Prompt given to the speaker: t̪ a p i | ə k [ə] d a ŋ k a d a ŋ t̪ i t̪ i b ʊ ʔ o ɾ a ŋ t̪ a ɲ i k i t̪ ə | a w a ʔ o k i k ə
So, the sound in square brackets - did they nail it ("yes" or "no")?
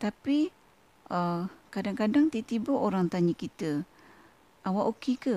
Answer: no